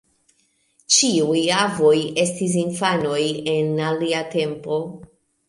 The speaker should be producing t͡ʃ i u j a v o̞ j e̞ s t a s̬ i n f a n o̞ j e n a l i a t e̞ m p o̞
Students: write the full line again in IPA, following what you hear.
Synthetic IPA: t͡ʃ i u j a v o̞ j e̞ s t i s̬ i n f a n o̞ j e n a l i a t e̞ m p o̞